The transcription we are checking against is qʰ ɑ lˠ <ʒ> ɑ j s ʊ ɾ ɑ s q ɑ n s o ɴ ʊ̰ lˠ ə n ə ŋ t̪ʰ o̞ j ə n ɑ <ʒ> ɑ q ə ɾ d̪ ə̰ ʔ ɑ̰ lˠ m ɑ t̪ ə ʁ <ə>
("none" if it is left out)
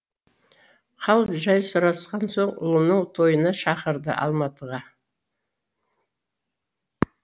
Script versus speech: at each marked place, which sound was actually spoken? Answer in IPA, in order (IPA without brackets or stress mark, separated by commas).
ʒ, ʃ, ɑ